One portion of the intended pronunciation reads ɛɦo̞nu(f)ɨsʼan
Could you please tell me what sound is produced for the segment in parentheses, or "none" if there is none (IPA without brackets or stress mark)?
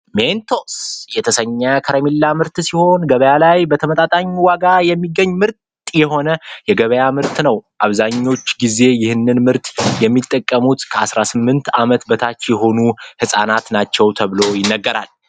h